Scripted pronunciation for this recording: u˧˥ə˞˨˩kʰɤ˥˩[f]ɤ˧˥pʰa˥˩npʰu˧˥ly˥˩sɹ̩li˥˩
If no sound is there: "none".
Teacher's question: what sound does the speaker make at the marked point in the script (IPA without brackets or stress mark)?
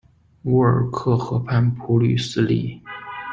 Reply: x